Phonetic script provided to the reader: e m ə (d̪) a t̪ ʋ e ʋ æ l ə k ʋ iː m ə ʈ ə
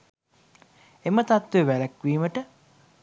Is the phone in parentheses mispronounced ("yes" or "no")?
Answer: yes